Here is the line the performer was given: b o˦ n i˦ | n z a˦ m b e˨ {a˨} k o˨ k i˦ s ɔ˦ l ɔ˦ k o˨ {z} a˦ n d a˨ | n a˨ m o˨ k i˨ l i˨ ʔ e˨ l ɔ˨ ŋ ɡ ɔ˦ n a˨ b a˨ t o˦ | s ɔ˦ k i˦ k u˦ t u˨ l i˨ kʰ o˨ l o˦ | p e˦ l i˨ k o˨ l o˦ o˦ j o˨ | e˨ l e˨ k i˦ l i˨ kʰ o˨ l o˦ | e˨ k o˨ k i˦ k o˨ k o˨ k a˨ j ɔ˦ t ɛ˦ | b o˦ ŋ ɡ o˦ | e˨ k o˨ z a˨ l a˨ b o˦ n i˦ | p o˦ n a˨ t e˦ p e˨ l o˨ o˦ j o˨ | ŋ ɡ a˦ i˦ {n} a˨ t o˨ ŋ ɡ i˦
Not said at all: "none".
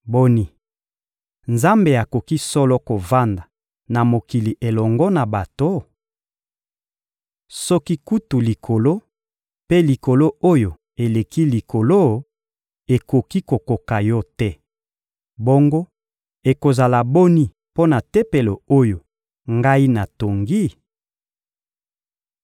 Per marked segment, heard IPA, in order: a˨, v, n

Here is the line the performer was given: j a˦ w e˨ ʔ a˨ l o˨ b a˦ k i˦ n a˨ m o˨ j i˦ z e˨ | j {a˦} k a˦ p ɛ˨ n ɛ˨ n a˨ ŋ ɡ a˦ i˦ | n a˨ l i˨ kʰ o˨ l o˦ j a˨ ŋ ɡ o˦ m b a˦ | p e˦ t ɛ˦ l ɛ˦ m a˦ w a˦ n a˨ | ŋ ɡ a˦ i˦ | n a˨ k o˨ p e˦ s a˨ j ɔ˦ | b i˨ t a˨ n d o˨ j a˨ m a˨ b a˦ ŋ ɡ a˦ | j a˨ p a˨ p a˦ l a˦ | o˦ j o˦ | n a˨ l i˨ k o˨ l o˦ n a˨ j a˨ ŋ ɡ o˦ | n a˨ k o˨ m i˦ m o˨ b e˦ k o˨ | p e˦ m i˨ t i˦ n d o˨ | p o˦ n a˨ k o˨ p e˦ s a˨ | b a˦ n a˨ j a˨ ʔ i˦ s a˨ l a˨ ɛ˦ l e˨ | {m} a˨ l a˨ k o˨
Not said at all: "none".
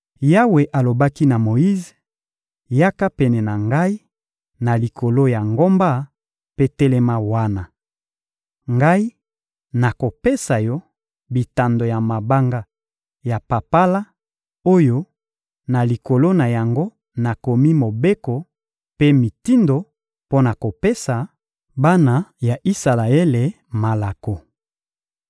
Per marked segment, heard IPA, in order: a˦, m

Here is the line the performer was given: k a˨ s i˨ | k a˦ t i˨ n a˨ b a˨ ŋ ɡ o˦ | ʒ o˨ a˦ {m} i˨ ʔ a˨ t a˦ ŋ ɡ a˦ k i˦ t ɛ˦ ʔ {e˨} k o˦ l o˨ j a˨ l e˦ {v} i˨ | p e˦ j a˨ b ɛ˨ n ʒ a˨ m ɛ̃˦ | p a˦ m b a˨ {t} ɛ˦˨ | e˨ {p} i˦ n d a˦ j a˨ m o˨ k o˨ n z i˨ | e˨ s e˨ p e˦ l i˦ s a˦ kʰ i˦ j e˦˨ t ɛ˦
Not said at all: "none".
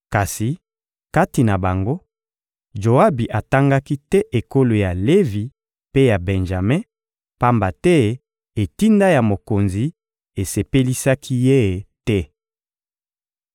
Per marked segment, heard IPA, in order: b, e˨, v, t, t

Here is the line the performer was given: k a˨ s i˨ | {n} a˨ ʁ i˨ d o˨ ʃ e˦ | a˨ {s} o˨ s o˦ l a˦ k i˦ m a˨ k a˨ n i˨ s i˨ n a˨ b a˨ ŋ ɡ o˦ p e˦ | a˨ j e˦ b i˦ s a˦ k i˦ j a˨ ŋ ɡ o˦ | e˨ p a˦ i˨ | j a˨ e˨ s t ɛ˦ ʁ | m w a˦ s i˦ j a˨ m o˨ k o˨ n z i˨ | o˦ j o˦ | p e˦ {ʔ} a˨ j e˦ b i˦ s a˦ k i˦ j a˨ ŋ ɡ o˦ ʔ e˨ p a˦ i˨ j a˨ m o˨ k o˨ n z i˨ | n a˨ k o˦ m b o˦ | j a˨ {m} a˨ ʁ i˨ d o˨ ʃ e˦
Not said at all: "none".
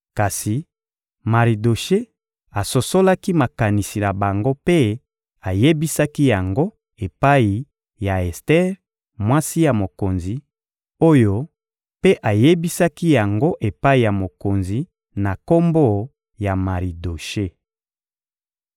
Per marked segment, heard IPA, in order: m, s, ʔ, m

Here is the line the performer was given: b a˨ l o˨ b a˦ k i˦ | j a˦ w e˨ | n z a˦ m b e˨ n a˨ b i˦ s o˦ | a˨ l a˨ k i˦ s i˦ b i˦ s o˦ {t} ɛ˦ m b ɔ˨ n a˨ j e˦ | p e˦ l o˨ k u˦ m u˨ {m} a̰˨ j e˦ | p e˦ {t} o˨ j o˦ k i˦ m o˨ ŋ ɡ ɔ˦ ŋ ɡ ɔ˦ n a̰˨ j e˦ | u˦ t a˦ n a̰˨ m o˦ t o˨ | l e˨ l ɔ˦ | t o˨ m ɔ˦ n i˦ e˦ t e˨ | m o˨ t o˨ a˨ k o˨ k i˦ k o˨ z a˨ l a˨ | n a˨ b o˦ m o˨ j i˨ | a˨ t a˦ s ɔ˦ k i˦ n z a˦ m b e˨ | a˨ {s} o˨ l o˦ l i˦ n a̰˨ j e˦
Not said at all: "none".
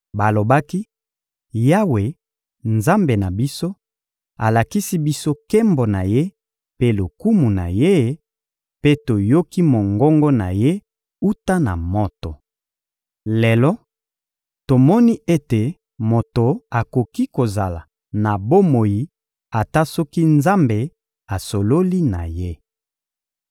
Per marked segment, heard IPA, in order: k, n, t, s

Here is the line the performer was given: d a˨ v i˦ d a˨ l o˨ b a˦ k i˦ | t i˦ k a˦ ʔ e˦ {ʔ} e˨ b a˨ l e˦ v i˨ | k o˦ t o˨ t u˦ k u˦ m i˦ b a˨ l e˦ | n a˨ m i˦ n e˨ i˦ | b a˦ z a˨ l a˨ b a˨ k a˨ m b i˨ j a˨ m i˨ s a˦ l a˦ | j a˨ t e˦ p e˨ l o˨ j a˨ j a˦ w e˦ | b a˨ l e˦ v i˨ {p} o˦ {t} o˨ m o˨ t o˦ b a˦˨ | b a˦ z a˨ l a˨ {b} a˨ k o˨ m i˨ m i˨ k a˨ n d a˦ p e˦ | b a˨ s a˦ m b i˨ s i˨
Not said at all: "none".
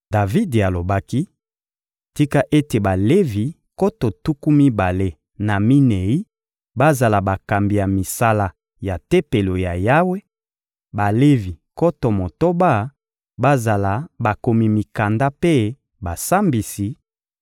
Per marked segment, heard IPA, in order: t, k, t, b

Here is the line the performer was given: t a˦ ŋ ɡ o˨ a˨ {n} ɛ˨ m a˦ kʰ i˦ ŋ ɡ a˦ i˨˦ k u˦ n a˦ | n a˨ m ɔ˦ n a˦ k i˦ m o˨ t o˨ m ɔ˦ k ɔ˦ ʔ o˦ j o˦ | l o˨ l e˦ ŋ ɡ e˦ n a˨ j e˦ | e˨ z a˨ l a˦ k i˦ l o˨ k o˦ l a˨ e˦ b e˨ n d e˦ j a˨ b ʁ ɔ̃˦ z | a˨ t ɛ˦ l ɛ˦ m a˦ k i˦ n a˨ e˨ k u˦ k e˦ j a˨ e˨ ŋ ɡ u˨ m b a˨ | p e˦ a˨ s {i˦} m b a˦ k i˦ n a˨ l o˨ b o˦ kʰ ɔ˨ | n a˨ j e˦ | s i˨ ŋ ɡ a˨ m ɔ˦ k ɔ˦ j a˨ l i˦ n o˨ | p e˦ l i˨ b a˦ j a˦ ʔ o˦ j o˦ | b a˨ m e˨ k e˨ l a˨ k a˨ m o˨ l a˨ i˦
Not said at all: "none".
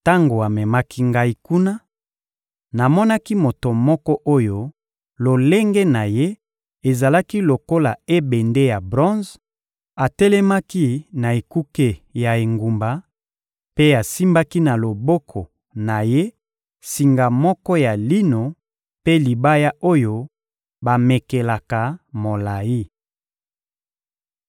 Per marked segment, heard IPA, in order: m, i˦

